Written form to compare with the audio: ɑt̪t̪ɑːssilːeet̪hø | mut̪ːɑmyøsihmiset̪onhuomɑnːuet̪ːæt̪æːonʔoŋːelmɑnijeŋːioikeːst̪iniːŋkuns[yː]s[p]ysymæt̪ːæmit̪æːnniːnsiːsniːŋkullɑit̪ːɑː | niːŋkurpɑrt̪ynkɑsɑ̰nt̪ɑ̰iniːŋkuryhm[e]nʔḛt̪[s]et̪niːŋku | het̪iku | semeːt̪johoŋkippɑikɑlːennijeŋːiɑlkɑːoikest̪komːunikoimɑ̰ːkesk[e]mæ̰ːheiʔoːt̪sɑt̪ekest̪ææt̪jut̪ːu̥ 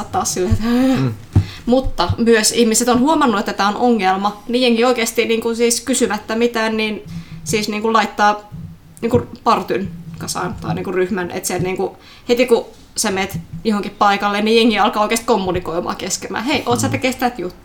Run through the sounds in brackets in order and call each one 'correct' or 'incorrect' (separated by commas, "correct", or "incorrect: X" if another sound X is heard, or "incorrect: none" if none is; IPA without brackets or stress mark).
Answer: incorrect: iː, incorrect: k, incorrect: æ, correct, correct